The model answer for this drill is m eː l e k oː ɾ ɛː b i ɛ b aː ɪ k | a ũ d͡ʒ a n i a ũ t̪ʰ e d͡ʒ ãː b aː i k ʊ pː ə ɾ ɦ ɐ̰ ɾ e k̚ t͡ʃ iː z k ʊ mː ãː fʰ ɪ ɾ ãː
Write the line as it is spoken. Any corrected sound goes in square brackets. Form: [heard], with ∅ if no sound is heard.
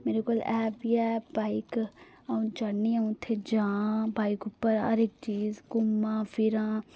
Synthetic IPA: m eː [ɾ] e k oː [l] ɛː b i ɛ b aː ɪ k | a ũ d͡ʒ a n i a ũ t̪ʰ e d͡ʒ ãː b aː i k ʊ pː ə ɾ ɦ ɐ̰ ɾ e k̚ t͡ʃ iː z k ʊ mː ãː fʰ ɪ ɾ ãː